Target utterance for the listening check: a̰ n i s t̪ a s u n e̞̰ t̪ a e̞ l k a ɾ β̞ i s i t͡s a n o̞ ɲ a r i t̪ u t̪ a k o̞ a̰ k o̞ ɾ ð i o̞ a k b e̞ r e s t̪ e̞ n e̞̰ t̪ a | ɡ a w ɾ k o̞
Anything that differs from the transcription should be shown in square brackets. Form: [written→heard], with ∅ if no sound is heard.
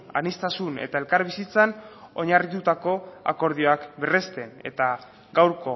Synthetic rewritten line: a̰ n i s t̪ a s u n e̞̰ t̪ a e̞ l k a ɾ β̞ i s i t͡s a n o̞ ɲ a r i t̪ u t̪ a k o̞ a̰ k o̞ ɾ ð i o̞ a k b e̞ r e s t̪ e̞ n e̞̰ t̪ a | ɡ a w ɾ k o̞